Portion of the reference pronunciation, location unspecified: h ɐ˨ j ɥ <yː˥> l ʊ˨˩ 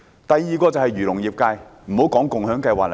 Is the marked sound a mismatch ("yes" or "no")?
yes